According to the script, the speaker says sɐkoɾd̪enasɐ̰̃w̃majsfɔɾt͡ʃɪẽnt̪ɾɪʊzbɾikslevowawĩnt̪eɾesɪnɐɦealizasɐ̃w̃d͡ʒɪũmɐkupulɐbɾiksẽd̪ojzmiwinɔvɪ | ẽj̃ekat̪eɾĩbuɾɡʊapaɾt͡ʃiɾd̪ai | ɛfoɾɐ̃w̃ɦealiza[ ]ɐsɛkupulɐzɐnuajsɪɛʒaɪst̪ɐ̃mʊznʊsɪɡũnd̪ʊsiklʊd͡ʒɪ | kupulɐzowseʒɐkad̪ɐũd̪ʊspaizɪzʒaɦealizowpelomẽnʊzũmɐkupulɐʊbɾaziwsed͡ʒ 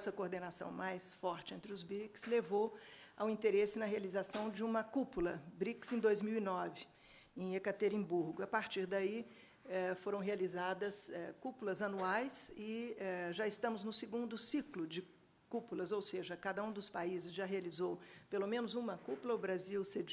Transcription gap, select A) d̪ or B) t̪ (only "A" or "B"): A